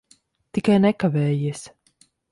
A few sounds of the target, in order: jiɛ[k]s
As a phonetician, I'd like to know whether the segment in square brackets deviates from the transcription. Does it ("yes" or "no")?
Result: yes